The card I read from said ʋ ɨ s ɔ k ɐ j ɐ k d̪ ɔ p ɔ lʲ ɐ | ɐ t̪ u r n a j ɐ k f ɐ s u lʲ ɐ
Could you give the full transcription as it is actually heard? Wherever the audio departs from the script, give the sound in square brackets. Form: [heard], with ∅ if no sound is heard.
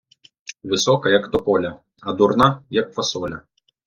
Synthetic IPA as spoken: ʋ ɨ s ɔ k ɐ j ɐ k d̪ ɔ p ɔ lʲ ɐ | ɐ [d̪] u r n a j ɐ k f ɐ s [ɔ] lʲ ɐ